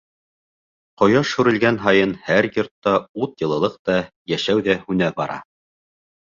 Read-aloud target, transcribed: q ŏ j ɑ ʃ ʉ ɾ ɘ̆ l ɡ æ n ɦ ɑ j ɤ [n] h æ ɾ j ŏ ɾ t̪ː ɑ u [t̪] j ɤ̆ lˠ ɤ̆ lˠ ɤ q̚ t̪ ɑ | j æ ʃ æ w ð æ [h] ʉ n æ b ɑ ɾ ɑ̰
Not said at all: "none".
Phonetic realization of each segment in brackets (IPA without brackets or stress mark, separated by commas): n, t̪, h